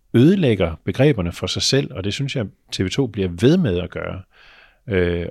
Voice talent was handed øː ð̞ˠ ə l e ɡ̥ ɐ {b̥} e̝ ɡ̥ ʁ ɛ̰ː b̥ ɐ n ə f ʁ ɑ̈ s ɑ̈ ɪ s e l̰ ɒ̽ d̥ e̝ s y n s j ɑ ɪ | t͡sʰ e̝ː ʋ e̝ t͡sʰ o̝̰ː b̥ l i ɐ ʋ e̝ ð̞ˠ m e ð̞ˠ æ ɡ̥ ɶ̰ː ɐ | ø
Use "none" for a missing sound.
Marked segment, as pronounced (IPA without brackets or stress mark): b̥